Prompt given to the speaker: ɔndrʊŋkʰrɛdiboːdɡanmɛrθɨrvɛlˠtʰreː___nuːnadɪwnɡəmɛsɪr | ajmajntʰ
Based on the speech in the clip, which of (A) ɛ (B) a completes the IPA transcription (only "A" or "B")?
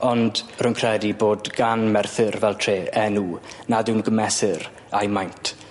A